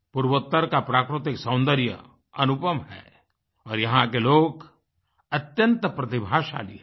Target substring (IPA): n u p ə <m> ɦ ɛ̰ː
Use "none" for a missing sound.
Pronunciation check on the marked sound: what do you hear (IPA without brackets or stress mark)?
m